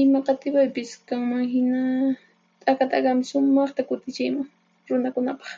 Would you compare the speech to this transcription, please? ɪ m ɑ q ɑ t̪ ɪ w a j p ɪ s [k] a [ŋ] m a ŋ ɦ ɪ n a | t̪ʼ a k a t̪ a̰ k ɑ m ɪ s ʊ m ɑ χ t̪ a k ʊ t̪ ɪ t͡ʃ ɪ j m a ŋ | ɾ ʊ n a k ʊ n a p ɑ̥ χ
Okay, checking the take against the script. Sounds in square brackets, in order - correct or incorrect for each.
correct, correct

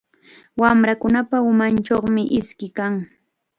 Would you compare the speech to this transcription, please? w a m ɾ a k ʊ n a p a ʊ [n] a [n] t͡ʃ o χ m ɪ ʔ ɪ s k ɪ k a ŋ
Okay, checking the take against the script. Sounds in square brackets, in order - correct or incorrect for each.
incorrect: m, correct

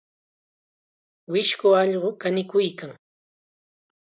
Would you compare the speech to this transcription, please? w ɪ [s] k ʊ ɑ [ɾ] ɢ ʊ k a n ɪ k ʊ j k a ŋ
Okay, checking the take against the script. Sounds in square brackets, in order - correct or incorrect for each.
incorrect: ʃ, incorrect: ʎ

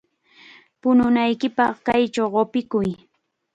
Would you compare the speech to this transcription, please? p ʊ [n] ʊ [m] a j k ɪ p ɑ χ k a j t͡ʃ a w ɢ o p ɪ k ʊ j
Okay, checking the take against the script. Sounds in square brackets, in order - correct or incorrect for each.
correct, incorrect: n

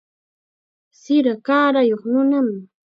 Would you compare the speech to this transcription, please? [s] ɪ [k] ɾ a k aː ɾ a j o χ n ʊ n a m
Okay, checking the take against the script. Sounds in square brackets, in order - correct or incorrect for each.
correct, incorrect: none

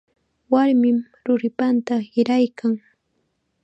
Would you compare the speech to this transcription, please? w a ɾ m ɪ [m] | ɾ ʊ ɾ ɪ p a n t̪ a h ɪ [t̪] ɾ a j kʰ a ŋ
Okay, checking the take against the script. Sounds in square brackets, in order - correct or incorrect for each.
correct, incorrect: none

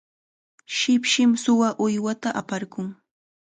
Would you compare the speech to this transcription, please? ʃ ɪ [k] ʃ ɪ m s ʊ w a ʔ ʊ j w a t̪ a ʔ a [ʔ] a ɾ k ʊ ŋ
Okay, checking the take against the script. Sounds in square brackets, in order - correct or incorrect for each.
incorrect: p, incorrect: p

